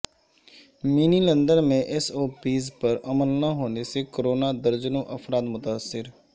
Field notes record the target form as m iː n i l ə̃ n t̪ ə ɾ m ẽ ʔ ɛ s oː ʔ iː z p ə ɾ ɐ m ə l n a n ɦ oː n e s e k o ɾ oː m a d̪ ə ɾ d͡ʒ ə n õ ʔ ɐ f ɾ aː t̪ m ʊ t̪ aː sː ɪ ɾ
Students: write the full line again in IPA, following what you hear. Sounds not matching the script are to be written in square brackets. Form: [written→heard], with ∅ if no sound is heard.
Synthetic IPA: m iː n i l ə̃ n [t̪→d̪] ə ɾ m ẽ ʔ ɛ s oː [ʔ→p] iː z p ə ɾ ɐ m ə l n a [n→∅] ɦ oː n e s e k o ɾ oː [m→n] a d̪ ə ɾ d͡ʒ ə n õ ʔ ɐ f ɾ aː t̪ m ʊ t̪ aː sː ɪ ɾ